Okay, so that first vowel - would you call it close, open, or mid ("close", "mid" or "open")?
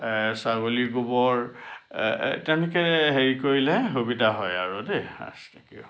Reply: open